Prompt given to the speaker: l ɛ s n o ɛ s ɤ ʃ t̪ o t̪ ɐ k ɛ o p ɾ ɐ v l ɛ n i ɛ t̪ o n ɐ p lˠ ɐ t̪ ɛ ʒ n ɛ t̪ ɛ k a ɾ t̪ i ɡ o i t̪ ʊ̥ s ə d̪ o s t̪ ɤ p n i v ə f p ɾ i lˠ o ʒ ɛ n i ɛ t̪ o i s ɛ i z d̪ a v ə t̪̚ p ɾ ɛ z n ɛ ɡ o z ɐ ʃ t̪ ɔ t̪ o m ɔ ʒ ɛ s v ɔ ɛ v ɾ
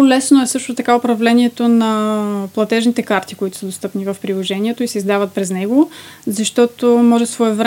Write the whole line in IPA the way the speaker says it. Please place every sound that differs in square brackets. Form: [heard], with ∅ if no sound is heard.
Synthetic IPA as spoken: l ɛ s n o ɛ s ɤ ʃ t̪ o t̪ ɐ k [a] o p ɾ ɐ v l ɛ n i ɛ t̪ o n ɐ p lˠ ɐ t̪ ɛ ʒ n [i] t̪ ɛ k a ɾ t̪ i [k] o i t̪ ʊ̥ s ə d̪ o s t̪ ɤ p n i v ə f p ɾ i lˠ o ʒ ɛ n i ɛ t̪ o i s ɛ i z d̪ a v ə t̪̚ p ɾ ɛ z n ɛ ɡ o z ɐ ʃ t̪ ɔ t̪ o m ɔ ʒ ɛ s v ɔ ɛ v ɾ